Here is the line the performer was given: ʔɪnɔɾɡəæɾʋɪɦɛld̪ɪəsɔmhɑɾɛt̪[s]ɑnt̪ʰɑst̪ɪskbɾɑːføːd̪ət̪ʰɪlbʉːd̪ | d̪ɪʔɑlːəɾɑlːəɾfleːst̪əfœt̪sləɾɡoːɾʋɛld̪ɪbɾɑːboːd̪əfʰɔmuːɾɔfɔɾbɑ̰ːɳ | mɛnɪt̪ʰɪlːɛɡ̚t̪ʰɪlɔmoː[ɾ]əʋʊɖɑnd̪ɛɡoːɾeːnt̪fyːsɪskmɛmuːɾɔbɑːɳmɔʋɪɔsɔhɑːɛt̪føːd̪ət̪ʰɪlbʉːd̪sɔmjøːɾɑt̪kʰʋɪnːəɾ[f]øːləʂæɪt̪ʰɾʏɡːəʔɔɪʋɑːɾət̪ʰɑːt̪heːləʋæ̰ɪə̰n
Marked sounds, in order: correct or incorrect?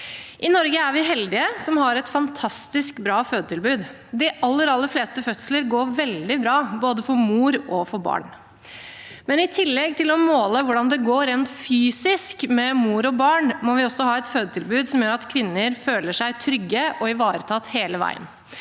incorrect: f, incorrect: l, correct

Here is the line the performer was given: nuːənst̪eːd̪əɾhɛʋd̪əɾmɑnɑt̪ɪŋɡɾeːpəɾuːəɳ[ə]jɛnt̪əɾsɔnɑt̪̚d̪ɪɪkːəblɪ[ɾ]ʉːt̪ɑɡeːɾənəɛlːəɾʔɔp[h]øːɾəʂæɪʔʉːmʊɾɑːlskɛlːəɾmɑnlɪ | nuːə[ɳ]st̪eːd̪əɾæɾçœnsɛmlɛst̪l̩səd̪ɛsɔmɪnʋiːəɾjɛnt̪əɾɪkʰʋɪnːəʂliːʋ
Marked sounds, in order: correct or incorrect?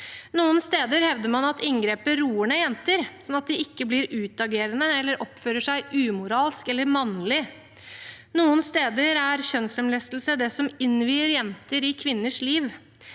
correct, correct, incorrect: f, incorrect: n

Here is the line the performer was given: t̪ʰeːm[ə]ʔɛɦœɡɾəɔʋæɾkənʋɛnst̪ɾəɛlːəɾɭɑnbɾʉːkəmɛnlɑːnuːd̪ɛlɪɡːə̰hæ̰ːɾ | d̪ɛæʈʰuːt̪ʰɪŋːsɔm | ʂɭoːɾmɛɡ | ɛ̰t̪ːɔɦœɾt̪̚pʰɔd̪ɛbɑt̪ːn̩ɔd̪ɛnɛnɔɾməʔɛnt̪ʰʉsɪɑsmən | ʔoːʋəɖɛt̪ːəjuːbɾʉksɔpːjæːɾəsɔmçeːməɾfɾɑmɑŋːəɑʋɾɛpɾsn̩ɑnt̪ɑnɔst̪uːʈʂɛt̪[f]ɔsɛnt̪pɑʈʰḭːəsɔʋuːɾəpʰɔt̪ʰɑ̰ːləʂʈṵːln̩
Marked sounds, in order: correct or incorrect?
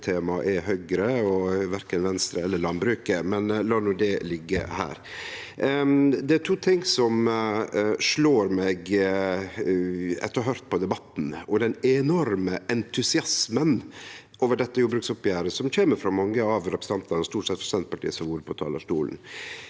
incorrect: ɑ, correct

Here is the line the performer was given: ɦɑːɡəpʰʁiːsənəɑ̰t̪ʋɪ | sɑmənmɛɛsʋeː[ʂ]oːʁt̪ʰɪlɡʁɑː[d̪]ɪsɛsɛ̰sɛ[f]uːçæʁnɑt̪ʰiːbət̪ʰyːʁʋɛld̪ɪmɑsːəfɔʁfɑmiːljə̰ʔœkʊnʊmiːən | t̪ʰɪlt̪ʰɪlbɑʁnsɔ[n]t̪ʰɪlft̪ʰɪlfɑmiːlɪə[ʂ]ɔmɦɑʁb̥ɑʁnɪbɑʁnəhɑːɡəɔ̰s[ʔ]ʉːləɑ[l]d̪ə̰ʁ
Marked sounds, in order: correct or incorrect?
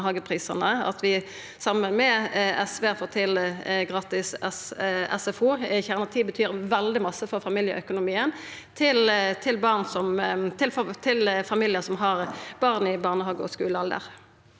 incorrect: f, incorrect: t̪, correct, incorrect: m, incorrect: s, incorrect: k, correct

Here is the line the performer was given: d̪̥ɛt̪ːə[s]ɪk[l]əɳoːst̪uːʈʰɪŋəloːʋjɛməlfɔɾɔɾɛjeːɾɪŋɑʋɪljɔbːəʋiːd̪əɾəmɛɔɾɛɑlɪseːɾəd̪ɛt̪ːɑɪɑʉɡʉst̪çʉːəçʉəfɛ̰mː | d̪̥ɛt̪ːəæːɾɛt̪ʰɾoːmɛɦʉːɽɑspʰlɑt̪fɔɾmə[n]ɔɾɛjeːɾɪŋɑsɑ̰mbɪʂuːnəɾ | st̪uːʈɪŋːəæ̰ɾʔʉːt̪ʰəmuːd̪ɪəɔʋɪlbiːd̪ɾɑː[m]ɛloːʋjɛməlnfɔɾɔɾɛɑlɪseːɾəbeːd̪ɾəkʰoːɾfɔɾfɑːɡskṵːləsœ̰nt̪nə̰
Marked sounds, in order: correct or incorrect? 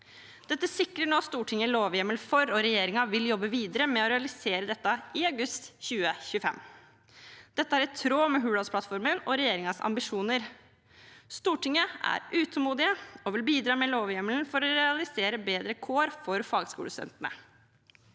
correct, incorrect: ɾ, correct, correct

